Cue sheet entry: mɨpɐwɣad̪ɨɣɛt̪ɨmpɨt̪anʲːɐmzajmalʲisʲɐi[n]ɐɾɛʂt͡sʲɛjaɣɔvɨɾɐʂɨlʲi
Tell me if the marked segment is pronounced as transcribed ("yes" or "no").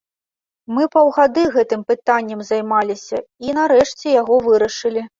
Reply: yes